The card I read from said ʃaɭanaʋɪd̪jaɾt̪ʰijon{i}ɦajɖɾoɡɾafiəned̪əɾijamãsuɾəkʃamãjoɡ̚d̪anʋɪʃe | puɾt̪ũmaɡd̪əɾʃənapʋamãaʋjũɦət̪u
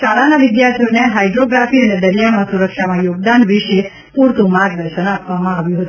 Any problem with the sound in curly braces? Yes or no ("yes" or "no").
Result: yes